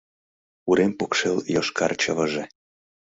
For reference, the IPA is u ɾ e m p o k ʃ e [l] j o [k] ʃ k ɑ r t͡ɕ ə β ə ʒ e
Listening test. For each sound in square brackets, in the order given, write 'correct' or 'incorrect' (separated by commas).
correct, incorrect